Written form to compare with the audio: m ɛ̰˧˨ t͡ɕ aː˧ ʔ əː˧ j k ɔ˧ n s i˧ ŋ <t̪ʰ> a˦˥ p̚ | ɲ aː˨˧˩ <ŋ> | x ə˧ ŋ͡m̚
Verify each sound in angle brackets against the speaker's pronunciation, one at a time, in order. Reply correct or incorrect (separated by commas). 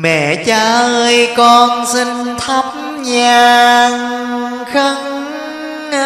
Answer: correct, correct